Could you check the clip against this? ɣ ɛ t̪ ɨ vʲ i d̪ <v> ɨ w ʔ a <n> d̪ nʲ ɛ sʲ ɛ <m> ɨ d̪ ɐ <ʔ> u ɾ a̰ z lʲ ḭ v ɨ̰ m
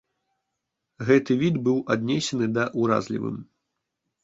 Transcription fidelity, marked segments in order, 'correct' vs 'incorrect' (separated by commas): incorrect, incorrect, incorrect, correct